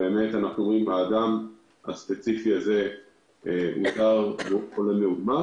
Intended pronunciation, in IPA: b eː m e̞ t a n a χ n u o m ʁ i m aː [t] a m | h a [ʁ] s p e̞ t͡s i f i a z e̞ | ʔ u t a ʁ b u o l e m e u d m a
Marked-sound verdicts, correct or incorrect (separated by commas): incorrect, incorrect